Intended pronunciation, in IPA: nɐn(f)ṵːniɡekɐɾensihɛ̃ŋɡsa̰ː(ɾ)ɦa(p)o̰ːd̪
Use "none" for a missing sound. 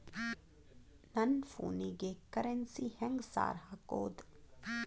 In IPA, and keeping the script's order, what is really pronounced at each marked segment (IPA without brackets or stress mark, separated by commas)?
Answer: f, ɾ, k